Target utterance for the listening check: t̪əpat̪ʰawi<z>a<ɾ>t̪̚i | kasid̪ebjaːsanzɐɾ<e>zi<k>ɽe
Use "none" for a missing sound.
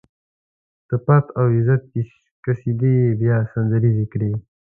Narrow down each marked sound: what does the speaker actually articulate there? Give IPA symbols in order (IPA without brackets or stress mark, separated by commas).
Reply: z, none, i, k